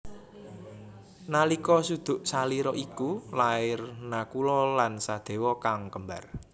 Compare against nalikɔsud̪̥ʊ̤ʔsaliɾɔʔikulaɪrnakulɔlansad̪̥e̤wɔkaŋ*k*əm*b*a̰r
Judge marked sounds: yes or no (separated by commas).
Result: yes, yes